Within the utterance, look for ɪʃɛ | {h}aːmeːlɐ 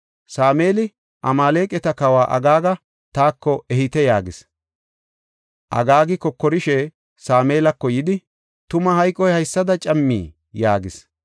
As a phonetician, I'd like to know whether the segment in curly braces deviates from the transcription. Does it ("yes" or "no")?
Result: yes